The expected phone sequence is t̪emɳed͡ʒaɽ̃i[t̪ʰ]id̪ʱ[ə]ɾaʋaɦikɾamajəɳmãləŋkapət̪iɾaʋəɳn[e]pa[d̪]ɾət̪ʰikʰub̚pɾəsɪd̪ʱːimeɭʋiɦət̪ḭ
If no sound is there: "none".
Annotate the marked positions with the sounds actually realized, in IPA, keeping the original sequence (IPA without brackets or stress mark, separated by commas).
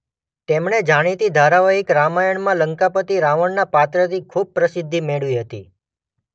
t̪, a, a, t̪